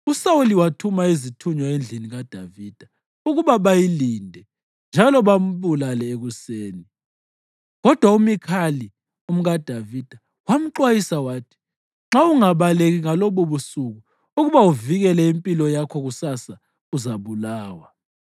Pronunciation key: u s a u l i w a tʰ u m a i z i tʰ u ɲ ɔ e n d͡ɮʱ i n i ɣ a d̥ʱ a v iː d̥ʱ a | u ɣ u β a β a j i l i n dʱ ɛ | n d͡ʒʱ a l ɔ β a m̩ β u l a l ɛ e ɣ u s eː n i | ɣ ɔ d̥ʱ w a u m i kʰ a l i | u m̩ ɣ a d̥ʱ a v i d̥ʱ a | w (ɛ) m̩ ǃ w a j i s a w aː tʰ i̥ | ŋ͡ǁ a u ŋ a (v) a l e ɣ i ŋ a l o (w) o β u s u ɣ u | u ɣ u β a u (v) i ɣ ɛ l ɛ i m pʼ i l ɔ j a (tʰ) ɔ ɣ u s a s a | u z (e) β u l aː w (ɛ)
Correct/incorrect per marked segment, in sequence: incorrect: a, incorrect: β, incorrect: β, correct, incorrect: kʰ, incorrect: a, incorrect: a

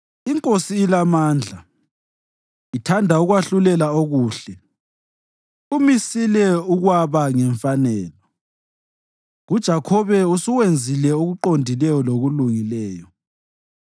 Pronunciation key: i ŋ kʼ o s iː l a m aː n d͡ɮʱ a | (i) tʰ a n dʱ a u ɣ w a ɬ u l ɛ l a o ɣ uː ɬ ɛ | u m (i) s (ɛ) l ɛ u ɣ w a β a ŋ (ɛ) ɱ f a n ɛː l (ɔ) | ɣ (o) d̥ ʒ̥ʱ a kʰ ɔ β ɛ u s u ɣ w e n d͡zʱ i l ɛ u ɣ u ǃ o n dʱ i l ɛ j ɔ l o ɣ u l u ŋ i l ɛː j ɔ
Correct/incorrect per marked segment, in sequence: correct, correct, incorrect: i, correct, correct, incorrect: u

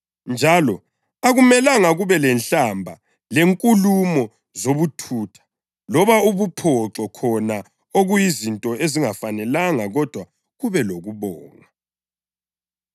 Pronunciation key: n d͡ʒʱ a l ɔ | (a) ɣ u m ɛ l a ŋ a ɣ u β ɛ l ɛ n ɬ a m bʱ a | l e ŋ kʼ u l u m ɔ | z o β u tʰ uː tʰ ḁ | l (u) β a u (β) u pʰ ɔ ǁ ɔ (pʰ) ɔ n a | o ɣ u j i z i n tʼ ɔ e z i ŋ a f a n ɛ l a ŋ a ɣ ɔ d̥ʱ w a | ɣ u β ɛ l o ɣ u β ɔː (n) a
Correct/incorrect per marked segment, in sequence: correct, incorrect: ɔ, correct, incorrect: kʰ, incorrect: ŋ

